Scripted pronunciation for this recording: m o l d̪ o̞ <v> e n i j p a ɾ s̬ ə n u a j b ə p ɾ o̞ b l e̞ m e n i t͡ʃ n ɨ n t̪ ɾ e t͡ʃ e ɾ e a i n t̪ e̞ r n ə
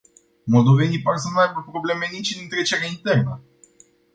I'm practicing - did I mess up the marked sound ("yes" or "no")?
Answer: no